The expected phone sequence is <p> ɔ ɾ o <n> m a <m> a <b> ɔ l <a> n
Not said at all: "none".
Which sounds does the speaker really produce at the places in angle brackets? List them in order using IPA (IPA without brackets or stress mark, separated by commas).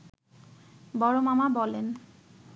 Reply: b, none, m, b, e